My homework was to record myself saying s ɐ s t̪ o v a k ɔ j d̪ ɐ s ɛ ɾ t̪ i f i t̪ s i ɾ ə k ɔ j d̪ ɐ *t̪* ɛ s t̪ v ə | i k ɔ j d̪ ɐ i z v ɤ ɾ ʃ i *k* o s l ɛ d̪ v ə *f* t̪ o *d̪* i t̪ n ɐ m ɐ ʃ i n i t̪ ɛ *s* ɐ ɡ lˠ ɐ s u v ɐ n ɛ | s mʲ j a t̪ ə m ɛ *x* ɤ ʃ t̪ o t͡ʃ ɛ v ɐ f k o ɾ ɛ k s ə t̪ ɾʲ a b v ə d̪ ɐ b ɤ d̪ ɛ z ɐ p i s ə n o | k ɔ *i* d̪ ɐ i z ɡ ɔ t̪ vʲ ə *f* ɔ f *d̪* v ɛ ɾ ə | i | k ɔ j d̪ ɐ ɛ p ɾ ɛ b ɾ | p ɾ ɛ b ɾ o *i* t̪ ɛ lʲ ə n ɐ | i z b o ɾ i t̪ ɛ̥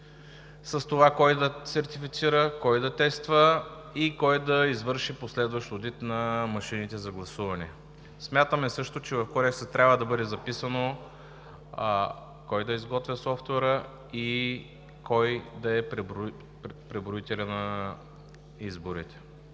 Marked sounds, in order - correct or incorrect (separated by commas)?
correct, incorrect, incorrect, correct, incorrect, incorrect, incorrect, incorrect, incorrect, correct